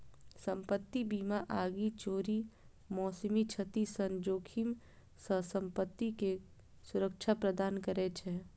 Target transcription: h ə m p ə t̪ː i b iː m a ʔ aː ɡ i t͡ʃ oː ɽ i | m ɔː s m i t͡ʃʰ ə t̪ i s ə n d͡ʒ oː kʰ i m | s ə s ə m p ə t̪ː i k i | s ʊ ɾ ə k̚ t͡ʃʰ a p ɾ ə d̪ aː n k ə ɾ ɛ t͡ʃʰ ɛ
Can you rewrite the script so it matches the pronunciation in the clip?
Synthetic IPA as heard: s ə m p ə t̪ː i b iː m a ʔ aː ɡ i t͡ʃ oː ɾ i | m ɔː s m i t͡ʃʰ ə t̪ i s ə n d͡ʒ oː kʰ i m | s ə s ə m p ə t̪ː i k e | s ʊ ɾ ə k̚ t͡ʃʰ a p ɾ ə d̪ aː n k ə ɾ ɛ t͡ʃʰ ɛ